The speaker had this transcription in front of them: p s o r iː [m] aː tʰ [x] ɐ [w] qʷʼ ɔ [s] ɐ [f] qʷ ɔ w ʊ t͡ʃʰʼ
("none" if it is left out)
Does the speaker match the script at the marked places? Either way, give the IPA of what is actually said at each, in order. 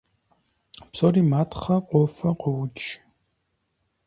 m, χ, none, f, none

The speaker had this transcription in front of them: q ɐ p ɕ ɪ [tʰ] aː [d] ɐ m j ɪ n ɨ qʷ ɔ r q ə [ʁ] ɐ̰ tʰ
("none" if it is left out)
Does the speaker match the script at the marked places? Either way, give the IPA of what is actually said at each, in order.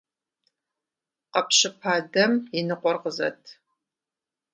pʰ, d, z

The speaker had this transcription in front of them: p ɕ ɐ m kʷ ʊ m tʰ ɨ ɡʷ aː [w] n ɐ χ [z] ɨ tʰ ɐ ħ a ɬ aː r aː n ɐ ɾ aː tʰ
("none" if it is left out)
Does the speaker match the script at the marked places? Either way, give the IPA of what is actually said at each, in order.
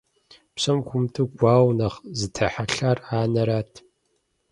w, z

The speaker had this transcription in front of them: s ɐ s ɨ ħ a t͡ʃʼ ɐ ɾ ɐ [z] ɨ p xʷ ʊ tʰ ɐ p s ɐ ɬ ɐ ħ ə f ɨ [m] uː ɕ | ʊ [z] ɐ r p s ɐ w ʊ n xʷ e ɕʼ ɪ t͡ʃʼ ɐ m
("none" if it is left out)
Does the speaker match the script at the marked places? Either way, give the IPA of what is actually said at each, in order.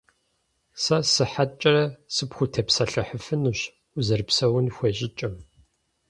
s, n, z

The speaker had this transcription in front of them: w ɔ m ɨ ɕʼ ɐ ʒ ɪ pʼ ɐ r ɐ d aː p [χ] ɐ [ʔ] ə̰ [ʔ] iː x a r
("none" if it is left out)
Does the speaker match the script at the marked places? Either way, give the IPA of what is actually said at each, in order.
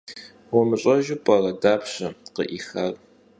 ɕ, q, ʔ

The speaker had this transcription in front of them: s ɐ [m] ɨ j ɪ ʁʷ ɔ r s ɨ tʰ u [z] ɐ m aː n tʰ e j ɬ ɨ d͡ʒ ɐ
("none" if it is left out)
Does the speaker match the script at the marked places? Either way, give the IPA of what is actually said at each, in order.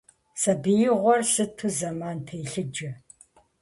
b, z

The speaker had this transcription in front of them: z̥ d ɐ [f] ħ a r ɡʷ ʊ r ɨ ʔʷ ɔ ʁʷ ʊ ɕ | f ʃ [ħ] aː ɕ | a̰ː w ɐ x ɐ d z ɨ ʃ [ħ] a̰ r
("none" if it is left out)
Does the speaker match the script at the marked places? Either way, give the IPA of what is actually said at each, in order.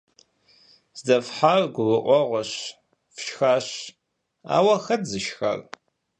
f, x, x

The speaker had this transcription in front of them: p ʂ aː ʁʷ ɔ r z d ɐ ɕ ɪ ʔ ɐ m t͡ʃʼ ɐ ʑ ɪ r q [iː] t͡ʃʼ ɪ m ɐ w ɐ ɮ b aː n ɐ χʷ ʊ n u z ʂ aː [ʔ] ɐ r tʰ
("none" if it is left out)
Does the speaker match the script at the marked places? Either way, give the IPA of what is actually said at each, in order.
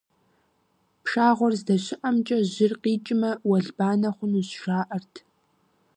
iː, ʔ

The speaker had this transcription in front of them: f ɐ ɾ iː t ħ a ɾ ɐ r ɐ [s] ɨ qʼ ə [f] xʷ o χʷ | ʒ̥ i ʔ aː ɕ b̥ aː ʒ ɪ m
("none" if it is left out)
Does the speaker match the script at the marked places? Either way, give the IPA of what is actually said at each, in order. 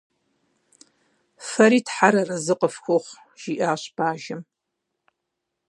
z, f

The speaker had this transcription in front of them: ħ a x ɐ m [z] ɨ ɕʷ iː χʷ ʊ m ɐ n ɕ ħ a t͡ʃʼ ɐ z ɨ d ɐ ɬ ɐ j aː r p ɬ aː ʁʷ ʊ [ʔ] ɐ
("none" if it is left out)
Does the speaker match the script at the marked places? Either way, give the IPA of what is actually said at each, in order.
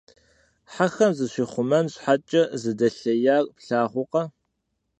z, q

